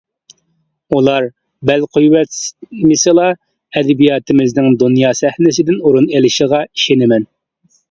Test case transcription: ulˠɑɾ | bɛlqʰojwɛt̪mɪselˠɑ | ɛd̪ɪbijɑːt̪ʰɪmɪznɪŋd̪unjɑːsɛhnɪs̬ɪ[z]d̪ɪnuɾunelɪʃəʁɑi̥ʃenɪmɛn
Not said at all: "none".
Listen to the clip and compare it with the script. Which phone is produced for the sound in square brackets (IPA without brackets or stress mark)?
none